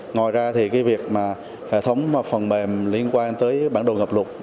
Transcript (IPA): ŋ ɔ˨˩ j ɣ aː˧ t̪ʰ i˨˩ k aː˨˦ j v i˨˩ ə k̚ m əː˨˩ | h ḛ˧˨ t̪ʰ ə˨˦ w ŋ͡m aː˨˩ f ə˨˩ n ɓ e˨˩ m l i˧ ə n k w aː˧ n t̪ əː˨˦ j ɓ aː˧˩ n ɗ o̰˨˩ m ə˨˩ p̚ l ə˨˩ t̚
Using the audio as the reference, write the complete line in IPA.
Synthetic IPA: ŋ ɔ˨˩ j z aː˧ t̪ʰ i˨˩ k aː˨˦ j v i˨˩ ə k̚ m aː˨˩ | h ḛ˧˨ t̪ʰ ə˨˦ w ŋ͡m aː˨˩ f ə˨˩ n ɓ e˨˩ m l i˧ ə n k w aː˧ n t̪ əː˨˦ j ɓ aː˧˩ n ɗ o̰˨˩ ŋ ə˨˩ p̚ l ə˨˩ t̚